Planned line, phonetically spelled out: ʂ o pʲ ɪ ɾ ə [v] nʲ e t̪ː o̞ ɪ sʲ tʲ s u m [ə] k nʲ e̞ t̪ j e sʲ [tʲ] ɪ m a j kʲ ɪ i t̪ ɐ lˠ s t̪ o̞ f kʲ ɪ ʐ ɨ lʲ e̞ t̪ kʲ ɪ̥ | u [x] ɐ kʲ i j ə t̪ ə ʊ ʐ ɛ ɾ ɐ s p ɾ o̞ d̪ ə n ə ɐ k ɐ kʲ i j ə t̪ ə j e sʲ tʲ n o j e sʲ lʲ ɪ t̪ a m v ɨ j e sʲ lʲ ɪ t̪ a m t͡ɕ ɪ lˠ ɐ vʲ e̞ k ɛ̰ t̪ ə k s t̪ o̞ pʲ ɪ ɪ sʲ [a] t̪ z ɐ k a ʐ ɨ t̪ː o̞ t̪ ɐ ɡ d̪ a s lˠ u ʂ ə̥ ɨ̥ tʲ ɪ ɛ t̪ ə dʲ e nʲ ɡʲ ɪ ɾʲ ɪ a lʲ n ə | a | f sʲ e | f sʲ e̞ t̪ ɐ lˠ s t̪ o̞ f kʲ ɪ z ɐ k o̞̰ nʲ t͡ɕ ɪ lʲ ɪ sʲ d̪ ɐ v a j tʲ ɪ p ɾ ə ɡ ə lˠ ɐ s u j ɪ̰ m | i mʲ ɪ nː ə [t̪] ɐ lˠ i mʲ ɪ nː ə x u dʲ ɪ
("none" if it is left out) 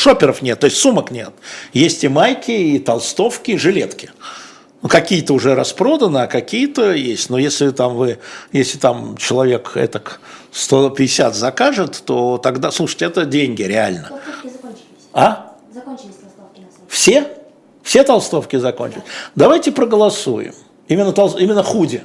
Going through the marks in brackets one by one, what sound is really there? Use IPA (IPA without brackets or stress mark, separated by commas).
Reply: f, ə, tʲ, k, a, t̪